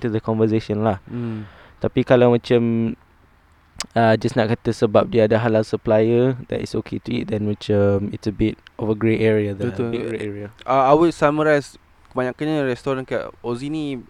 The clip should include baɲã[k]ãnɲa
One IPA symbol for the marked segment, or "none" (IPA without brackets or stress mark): k